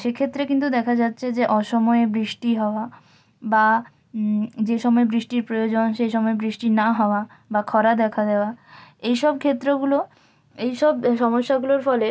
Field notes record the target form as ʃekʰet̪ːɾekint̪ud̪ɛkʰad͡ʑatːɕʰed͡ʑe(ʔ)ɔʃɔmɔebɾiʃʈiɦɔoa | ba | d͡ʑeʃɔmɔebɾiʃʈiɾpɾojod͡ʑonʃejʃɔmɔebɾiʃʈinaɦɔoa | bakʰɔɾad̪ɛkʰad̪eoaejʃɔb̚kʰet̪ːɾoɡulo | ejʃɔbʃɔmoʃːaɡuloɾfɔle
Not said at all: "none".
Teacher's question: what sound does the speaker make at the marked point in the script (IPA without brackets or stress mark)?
ʔ